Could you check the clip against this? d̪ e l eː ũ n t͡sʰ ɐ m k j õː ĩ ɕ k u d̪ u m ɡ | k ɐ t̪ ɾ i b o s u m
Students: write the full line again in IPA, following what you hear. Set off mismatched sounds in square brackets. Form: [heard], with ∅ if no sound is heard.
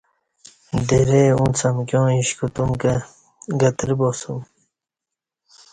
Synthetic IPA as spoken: d̪ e [ɾ] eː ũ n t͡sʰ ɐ m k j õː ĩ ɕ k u [t̪] u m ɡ | [ɡ] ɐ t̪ ɾ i b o s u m

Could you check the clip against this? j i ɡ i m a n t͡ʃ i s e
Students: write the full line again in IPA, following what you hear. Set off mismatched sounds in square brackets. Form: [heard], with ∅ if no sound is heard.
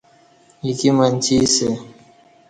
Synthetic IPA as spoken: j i [k] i m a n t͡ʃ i s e

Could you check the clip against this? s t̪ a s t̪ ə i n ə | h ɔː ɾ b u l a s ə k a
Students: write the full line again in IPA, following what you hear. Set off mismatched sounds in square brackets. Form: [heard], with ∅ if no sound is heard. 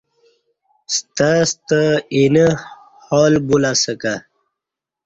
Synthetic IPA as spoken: s t̪ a s t̪ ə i n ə | h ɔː [l] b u l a s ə k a

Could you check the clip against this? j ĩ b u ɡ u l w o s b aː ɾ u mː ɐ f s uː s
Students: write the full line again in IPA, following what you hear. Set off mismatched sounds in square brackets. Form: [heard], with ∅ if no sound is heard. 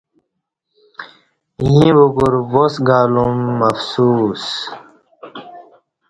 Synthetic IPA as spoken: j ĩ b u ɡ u [ɾ] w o s [ɡ] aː [l] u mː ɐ f s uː s

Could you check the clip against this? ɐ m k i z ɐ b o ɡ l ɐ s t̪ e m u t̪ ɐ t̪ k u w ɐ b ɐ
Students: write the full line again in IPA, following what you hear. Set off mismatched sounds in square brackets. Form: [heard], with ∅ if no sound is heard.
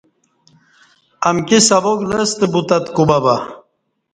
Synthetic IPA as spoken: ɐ m k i [s] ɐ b o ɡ l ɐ s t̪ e [b] u t̪ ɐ t̪ k u [b] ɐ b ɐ

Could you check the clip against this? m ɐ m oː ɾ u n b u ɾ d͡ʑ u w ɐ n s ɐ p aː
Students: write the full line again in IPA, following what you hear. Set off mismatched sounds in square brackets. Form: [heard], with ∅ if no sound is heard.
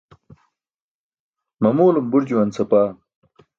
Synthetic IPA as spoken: m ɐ m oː [l] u [m] b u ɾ d͡ʑ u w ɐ n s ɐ p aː

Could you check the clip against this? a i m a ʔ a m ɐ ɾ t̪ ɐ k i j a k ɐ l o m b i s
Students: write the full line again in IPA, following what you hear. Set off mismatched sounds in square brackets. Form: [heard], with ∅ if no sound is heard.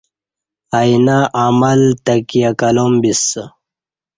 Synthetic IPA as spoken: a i [n] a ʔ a m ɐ [l] t̪ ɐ k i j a k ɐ l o m b i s

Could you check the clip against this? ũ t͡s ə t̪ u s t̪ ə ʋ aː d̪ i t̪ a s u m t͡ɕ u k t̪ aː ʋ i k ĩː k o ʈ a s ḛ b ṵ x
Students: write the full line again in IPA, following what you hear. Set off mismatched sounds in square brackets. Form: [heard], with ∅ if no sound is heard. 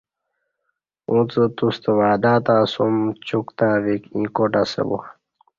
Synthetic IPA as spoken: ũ t͡s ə t̪ u s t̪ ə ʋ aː d̪ [a] t̪ a s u m t͡ɕ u k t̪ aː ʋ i k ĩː k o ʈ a s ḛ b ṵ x

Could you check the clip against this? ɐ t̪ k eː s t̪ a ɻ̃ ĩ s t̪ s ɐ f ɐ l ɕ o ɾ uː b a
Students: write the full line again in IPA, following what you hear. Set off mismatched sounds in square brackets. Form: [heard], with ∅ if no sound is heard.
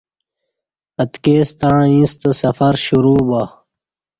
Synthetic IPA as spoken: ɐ t̪ k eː s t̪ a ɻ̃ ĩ s t̪ s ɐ f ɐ [ɾ] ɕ [u] ɾ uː b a

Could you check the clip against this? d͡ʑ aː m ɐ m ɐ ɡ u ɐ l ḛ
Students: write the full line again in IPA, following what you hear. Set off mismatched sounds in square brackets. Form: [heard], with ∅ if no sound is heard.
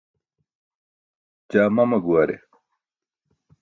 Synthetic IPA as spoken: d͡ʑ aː m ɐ m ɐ ɡ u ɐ [ɾ] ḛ

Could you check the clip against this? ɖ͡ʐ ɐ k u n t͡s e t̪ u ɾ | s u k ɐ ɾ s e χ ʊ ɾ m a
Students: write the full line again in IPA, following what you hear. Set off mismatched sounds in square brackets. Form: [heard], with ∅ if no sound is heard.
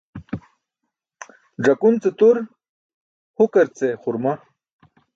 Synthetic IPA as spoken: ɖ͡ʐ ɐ k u n t͡s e t̪ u ɾ | [h] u k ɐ ɾ [t͡s] e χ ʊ ɾ m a

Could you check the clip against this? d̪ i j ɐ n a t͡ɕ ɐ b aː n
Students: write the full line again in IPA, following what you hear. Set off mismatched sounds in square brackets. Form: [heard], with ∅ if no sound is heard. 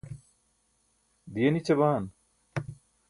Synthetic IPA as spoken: d̪ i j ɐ n [i] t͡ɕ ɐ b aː n

